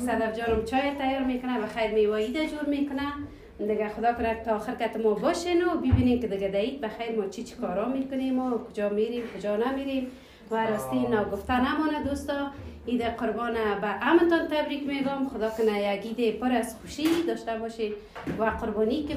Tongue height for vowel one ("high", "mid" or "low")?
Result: low